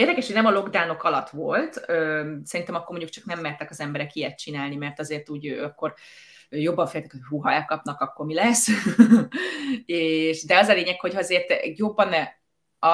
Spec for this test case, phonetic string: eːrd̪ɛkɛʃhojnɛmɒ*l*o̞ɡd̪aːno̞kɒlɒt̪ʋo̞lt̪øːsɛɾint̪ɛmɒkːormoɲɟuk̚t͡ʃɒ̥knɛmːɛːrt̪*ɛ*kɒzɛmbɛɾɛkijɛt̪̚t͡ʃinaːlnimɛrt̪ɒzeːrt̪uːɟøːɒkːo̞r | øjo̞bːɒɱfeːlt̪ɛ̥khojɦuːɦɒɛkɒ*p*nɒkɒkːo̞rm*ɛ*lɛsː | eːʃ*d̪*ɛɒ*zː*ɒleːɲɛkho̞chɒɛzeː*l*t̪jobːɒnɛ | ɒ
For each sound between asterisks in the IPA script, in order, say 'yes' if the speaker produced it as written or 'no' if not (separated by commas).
yes, yes, yes, no, yes, no, no